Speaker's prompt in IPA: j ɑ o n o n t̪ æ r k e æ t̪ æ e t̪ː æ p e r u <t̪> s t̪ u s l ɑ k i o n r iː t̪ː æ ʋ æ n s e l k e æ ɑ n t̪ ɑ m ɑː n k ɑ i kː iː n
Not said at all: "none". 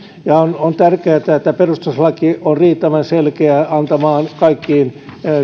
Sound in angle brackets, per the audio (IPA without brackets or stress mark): none